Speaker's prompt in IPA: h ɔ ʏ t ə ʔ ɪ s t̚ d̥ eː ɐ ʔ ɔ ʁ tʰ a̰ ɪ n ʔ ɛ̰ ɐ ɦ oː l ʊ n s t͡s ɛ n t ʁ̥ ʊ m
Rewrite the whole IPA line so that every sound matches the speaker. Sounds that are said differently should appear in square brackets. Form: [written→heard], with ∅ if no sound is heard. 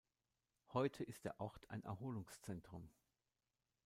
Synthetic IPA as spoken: h ɔ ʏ [t→tʰ] ə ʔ ɪ s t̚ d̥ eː ɐ ʔ ɔ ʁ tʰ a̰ ɪ n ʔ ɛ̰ ɐ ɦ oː l ʊ [n→ŋ] s t͡s ɛ n t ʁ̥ ʊ m